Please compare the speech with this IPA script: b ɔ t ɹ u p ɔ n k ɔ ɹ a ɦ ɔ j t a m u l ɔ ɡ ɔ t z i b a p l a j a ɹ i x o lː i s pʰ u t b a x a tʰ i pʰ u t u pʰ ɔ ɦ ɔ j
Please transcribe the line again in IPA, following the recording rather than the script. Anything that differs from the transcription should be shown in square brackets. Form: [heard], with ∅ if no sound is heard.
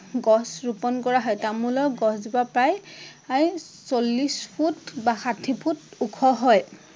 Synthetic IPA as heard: [ɡ] ɔ [s] ɹ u p ɔ n k ɔ ɹ a ɦ ɔ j t a m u l ɔ ɡ ɔ [s] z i b a p [ɹ] a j a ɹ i [s] o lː i s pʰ u t b a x a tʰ i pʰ u t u [kʰ] ɔ ɦ ɔ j